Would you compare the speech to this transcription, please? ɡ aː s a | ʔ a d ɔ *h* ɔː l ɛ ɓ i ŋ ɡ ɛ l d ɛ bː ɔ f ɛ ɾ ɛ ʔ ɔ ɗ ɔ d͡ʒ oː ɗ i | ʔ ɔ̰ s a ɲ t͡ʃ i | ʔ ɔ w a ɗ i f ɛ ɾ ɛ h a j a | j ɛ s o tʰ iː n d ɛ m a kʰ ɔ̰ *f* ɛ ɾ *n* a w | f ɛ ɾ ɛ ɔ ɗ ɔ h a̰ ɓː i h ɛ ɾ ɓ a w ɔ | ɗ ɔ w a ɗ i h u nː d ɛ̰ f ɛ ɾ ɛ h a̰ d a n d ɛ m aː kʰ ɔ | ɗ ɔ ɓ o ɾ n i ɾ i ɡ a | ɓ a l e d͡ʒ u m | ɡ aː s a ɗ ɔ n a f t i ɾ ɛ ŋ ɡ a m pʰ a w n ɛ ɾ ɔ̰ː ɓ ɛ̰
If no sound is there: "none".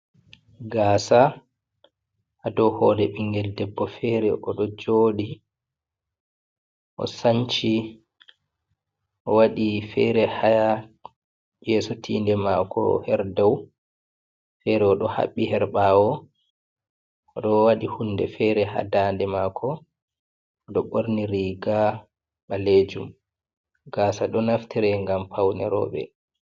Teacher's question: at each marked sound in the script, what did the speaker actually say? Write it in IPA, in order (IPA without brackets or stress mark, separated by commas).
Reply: h, h, d